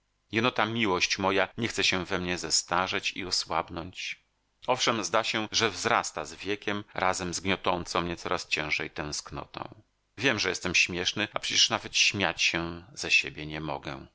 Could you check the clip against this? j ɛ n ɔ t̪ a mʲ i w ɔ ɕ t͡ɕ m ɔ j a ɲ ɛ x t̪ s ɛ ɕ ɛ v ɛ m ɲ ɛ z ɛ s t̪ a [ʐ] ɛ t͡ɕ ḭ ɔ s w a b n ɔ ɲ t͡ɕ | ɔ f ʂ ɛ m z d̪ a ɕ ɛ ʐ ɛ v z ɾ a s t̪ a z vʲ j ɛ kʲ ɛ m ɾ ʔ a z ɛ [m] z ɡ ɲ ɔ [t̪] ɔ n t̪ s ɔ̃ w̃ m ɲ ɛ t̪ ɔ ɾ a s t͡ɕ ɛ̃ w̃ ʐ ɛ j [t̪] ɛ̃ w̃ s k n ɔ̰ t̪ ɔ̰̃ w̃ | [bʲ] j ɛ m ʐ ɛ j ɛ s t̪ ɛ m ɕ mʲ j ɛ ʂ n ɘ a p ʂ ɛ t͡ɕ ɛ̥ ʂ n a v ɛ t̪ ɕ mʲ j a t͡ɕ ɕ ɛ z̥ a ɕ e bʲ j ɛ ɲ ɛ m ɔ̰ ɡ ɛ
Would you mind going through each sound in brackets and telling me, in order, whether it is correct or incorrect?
correct, correct, correct, correct, incorrect: vʲ

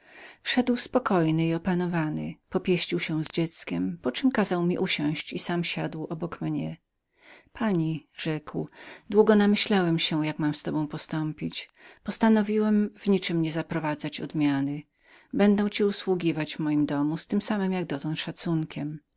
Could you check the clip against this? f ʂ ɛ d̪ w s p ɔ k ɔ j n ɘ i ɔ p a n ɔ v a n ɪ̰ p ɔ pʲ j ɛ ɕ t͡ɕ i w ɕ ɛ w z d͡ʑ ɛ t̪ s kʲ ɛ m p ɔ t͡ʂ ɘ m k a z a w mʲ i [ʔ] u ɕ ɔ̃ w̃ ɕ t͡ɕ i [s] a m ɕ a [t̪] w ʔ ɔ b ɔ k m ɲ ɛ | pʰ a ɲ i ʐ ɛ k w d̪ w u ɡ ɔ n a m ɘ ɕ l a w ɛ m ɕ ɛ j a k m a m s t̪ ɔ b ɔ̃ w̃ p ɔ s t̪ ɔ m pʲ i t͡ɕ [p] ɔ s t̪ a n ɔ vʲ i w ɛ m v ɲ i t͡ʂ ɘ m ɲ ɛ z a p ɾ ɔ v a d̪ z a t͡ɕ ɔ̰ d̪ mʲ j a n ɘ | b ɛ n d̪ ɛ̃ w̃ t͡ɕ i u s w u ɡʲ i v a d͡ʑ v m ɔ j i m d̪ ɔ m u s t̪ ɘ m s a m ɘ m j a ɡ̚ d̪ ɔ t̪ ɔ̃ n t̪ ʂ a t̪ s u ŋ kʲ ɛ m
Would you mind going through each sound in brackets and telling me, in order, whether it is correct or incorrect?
correct, correct, incorrect: d̪, correct

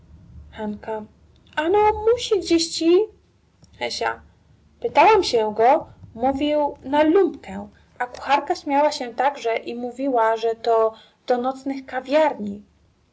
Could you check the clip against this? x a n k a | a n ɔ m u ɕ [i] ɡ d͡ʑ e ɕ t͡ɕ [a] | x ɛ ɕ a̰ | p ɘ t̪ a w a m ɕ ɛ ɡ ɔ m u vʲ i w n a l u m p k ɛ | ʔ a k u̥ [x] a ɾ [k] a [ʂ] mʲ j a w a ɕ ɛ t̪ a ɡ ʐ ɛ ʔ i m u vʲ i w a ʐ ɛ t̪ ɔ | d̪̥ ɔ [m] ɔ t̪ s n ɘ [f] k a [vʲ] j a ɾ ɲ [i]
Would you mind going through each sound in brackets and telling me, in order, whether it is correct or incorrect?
correct, incorrect: i, correct, correct, incorrect: ɕ, incorrect: n, incorrect: x, correct, correct

